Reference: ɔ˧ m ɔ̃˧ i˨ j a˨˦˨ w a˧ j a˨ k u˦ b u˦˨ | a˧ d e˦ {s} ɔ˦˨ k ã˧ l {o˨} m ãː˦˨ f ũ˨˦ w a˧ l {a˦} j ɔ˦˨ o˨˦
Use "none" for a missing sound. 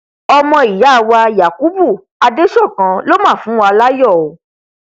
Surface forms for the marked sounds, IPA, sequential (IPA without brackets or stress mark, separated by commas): ʃ, o˦, a˦